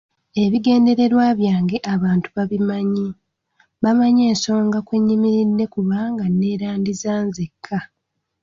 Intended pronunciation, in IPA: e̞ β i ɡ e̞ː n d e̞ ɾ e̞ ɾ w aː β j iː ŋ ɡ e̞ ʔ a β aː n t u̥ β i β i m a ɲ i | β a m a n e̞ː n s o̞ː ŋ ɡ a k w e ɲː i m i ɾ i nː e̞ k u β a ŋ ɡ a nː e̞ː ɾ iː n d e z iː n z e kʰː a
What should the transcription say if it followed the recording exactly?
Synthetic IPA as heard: e̞ β i ɡ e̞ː n d e̞ ɾ e̞ ɾ w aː β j aː ŋ ɡ e̞ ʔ a β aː n t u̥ β a β i m a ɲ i | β a m a ɲ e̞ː n s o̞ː ŋ ɡ a k w e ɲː i m i ɾ i nː e̞ k u β a ŋ ɡ a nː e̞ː ɾ aː n d i z aː n z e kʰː a